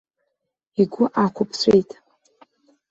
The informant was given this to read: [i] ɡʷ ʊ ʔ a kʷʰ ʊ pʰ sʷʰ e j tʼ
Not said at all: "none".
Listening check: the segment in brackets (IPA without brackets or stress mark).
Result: i